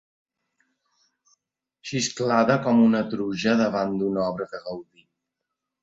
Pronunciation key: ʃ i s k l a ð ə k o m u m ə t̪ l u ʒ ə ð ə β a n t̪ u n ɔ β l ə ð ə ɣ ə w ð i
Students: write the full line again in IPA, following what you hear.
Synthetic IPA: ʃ i s k l a ð ə k ɔ m u n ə t̪ ɾ u ʒ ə ð ə β a n d̪ u n ɔ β ɾ ə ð ə ɣ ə w ð i